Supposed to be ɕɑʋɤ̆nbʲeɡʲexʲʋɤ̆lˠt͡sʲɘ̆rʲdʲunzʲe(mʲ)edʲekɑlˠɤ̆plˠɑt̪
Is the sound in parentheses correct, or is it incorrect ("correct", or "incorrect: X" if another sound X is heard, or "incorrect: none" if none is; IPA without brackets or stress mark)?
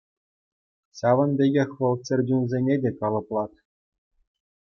incorrect: nʲ